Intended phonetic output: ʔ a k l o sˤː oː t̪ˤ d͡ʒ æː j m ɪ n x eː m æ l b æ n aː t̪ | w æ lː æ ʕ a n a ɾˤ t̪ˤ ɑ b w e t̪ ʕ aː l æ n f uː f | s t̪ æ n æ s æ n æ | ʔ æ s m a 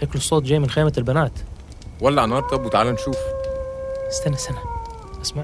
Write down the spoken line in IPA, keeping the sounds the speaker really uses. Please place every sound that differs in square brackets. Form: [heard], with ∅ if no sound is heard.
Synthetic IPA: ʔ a k l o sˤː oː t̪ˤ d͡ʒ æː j m ɪ n x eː m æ l b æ n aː t̪ | w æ lː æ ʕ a n [ɑ] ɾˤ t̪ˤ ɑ b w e t̪ ʕ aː l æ n [ʃ] uː f | s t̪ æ n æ s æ n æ | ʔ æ s m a